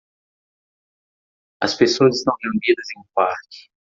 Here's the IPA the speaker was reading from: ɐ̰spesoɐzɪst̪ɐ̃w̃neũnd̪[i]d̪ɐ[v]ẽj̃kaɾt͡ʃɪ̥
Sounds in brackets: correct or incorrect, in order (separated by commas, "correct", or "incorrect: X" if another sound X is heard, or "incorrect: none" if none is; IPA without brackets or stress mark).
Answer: correct, incorrect: z